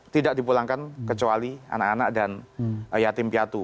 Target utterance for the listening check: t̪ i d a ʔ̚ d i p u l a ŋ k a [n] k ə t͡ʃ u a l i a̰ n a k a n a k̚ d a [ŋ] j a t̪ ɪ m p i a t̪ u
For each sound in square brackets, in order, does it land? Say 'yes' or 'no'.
yes, no

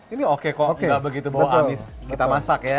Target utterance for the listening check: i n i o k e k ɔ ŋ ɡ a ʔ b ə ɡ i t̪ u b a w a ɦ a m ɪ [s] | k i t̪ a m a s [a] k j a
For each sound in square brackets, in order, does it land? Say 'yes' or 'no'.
yes, yes

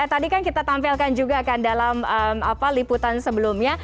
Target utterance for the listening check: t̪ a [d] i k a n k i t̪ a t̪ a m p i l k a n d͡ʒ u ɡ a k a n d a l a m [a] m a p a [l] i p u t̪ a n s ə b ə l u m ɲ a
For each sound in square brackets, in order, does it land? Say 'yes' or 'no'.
yes, no, yes

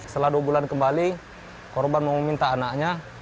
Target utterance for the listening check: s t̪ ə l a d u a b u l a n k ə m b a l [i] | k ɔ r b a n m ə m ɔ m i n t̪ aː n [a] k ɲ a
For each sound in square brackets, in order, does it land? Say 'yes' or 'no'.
yes, yes

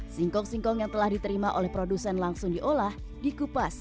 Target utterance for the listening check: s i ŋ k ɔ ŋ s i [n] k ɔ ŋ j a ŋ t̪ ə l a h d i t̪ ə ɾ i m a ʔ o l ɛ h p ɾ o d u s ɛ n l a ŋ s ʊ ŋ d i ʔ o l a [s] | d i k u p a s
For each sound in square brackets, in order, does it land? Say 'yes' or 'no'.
no, no

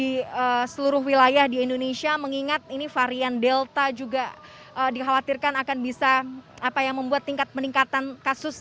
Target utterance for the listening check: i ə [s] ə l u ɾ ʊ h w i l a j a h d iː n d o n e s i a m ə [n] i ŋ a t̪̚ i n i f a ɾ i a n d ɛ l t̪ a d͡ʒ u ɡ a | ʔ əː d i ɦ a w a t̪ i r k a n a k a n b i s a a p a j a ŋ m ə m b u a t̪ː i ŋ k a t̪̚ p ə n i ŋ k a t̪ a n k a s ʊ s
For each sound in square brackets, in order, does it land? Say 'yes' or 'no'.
yes, no

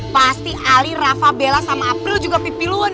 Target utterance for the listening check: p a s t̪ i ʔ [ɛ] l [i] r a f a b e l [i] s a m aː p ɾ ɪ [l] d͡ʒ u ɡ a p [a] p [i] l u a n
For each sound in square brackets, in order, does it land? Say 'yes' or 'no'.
no, yes, no, yes, no, yes

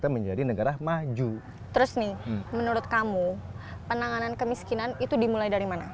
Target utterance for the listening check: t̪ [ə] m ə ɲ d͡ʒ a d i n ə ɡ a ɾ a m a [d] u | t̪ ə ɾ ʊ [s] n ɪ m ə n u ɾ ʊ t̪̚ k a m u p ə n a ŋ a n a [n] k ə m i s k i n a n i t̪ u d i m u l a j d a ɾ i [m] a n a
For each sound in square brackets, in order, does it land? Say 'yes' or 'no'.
no, no, yes, yes, yes

